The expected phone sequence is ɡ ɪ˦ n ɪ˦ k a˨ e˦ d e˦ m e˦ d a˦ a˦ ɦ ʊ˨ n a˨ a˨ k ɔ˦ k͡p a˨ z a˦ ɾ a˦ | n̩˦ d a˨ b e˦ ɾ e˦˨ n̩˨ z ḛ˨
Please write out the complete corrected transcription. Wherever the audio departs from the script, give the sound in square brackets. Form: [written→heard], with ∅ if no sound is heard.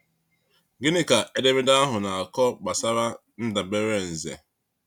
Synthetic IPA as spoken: ɡ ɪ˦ n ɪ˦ k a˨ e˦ d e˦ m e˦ d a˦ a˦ ɦ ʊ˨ n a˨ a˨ k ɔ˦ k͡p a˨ [z→s] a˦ ɾ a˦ | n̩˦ d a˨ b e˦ ɾ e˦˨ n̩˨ z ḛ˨